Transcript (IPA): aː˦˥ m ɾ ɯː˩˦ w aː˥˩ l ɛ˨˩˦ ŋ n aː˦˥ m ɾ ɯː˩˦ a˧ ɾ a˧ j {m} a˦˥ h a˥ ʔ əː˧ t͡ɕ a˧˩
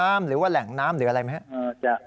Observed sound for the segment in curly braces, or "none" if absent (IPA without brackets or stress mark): m